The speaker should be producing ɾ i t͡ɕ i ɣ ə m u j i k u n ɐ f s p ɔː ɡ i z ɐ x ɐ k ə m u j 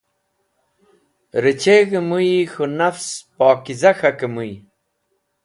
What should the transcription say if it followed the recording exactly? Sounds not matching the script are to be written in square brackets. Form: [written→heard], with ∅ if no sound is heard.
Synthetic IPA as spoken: ɾ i t͡ɕ [i→e] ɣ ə m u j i [k→x] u n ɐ f s p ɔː [ɡ→k] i z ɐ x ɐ k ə m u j